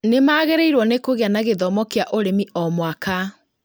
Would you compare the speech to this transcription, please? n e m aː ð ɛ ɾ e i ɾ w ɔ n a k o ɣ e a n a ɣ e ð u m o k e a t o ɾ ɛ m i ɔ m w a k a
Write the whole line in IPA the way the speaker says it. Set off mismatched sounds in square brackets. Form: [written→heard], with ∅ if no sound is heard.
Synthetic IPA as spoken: n e m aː [ð→ɣ] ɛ ɾ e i ɾ w ɔ n [a→e] k o ɣ e a n a ɣ e ð [u→ɔ] m [o→ɔ] k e a [t→ʔ] o ɾ [ɛ→e] m i ɔ m w a k a